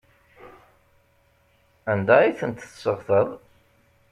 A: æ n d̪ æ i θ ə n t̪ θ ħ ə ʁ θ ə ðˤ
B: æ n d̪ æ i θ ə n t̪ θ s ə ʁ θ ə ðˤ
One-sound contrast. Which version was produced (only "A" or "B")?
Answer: B